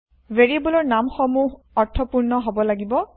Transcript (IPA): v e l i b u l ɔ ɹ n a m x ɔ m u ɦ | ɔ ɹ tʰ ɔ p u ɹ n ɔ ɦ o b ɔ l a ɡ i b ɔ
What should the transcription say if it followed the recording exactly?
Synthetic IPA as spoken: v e ɹ i b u l ɔ ɹ n a m x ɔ m u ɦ | ɔ ɹ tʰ ɔ p u ɹ n ɔ ɦ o b ɔ l a ɡ i b ɔ